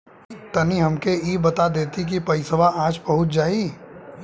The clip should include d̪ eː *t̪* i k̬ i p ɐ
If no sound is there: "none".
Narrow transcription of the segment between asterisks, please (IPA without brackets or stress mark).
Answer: t̪